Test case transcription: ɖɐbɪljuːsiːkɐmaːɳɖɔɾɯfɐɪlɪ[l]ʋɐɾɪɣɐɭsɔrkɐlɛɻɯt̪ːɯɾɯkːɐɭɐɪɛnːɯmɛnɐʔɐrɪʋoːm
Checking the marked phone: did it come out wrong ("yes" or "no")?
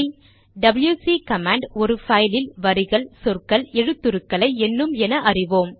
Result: no